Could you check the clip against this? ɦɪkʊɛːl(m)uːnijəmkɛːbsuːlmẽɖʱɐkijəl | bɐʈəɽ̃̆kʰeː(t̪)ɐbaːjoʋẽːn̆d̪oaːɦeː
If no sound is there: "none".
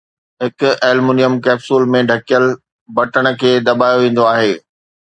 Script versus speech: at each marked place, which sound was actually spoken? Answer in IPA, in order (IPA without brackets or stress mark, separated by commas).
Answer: m, d̪